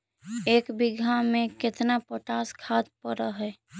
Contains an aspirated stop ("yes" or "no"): yes